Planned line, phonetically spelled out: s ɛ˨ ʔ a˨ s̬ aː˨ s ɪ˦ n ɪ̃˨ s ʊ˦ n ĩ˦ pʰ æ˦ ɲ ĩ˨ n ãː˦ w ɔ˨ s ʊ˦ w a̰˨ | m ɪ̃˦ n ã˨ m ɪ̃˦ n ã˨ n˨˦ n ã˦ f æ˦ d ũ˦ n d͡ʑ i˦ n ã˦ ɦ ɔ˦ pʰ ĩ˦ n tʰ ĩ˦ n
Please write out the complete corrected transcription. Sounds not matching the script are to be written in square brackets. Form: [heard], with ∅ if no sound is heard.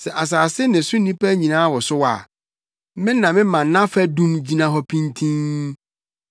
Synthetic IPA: s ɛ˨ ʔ a˨ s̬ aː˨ s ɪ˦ n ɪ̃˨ s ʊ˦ n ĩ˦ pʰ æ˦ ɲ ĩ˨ n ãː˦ w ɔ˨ s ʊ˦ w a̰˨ | m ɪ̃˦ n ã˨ m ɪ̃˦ [m] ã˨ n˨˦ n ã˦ f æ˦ d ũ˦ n d͡ʑ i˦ n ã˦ ɦ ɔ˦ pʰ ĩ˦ n tʰ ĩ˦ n